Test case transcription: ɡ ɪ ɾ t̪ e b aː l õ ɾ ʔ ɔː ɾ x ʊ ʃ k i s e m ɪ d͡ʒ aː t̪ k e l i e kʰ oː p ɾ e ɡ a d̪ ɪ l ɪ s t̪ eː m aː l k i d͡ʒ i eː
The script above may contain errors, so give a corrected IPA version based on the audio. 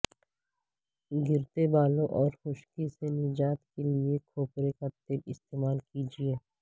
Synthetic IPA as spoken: ɡ ɪ ɾ t̪ e b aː l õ ʔ ɔː ɾ x ʊ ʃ k i s e n ɪ d͡ʒ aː t̪ k e l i e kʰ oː p ɾ e k a t̪ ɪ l ɪ s t̪ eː m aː l k i d͡ʒ i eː

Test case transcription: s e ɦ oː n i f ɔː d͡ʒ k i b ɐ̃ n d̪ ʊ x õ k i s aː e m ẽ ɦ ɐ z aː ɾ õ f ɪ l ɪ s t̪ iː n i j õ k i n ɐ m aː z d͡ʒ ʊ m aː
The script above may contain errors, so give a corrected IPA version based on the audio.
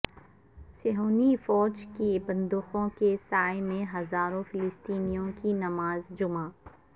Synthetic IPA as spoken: s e ɦ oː n i f ɔː d͡ʒ k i b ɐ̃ n d̪ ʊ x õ k e s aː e m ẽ ɦ ɐ z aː ɾ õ f ɪ l ɪ s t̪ iː n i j õ k i n ɐ m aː z d͡ʒ ʊ m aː

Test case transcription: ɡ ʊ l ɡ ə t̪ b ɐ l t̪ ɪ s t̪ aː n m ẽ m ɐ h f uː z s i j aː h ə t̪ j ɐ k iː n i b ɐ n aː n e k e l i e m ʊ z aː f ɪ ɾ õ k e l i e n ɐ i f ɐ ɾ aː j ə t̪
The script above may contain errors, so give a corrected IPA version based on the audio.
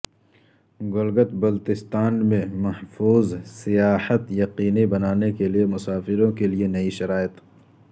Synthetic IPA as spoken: ɡ ʊ l ɡ ə t̪ b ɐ l t̪ ɪ s t̪ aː n m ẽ m ɐ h f uː z s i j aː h ə t̪ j ɐ q iː n i b ɐ n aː n e k e l i e m ʊ s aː f ɪ ɾ õ k e l i e n ɐ i ʃ ɐ ɾ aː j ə t̪

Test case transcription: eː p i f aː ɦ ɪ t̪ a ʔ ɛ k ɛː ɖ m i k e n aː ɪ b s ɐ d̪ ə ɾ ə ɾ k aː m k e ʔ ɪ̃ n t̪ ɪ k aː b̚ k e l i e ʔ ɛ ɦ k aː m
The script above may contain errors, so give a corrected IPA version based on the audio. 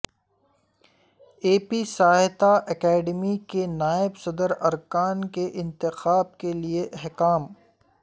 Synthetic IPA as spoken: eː p i s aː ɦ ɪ t̪ a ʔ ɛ k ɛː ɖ m i k e n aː ɪ b s ɐ d̪ ə ɾ ɐ ɾ k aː n k e ʔ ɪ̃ n t̪ ɪ x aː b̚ k e l i e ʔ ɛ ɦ k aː m

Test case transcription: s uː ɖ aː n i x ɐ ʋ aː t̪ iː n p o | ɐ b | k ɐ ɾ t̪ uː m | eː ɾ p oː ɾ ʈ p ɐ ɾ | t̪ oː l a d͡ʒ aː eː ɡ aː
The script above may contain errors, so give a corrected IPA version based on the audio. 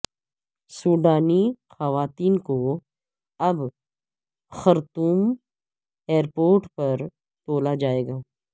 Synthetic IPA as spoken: s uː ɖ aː n i x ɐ ʋ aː t̪ iː n k o | ɐ b | x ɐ ɾ t̪ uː m | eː ɾ p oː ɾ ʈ p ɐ ɾ | t̪ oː l a d͡ʒ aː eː ɡ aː

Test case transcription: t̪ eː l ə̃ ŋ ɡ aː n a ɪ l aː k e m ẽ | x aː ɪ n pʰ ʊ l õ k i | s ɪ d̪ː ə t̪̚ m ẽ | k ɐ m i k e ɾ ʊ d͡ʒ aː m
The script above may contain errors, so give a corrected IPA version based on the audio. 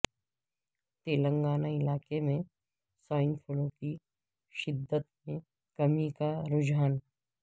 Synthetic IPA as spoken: t̪ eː l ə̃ ŋ ɡ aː n a ɪ l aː k e m ẽ | s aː ɪ n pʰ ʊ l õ k i | ʃ ɪ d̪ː ə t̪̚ m ẽ | k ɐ m i k a ɾ ʊ d͡ʒ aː n

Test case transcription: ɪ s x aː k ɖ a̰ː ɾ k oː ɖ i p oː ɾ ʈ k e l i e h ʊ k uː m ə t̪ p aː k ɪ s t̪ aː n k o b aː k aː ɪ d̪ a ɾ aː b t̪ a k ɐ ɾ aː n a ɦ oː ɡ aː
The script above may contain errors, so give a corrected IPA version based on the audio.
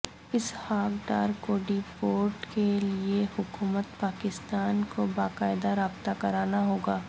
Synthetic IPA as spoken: ɪ s h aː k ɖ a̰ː ɾ k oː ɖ i p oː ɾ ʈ k e l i e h ʊ k uː m ə t̪ p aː k ɪ s t̪ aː n k o b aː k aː ɪ d̪ a ɾ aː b t̪ a k ɐ ɾ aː n a ɦ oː ɡ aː

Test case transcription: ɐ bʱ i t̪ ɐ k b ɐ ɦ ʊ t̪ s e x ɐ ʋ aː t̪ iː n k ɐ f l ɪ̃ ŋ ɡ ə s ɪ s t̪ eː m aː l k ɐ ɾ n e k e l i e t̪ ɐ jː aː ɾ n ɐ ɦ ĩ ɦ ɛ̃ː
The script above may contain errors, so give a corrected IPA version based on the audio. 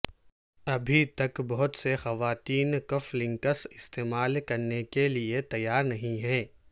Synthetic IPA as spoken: ɐ bʱ i t̪ ɐ k b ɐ ɦ ʊ t̪ s e x ɐ ʋ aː t̪ iː n k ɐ f l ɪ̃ ŋ k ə s ɪ s t̪ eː m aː l k ɐ ɾ n e k e l i e t̪ ɐ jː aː ɾ n ɐ ɦ ĩ ɦ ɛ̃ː

